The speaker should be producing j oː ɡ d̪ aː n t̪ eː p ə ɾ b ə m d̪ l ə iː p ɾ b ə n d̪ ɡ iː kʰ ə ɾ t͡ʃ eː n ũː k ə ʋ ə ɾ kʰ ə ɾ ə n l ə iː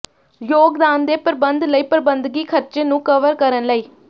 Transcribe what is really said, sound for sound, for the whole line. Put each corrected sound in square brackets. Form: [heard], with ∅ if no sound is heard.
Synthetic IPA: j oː ɡ d̪ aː n [d̪] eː p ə ɾ b ə [n] d̪ l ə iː p ɾ b ə n d̪ ɡ iː kʰ ə ɾ t͡ʃ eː n ũː k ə ʋ ə ɾ [k] ə ɾ ə n l ə iː